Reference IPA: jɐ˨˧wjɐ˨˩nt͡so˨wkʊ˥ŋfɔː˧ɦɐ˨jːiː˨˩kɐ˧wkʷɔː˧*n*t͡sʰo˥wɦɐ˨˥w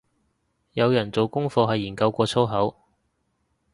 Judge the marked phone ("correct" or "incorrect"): incorrect